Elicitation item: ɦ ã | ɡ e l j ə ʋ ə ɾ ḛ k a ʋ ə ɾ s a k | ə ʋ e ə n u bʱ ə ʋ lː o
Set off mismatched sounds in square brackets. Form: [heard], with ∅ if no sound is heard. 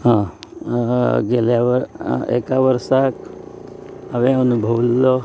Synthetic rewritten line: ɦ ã | ɡ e l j [a] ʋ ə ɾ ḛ k a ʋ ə ɾ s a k | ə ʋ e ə n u bʱ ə ʋ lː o